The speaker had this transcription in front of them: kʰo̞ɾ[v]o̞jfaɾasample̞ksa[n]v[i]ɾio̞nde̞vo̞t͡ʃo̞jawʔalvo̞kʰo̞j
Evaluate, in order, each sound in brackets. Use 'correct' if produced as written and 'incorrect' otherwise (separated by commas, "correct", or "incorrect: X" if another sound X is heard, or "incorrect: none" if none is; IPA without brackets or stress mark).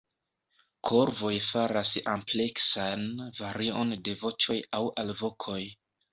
correct, correct, incorrect: a